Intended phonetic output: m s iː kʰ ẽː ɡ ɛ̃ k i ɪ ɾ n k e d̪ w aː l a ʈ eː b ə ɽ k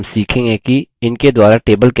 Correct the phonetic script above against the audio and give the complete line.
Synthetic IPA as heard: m s iː kʰ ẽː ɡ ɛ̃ k i ɪ n k e d̪ w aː ɾ a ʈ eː b ə l k